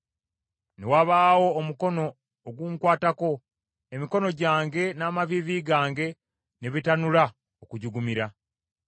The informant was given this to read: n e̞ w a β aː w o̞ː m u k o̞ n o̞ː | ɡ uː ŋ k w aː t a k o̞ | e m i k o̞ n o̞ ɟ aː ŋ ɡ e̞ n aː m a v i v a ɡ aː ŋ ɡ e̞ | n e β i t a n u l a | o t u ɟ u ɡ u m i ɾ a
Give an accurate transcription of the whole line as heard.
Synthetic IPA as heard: n e̞ w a β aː w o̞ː m u k o̞ n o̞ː | ɡ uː ŋ k w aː t a k o̞ | e m i k o̞ n o̞ ɟ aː ŋ ɡ e̞ n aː m a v i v i ɡ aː ŋ ɡ e̞ | n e β i t a n u l a | o k u ɟ u ɡ u m i ɾ a